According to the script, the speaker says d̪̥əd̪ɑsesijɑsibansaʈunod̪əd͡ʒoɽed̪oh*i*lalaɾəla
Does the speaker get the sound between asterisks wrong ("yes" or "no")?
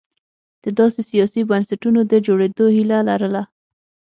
no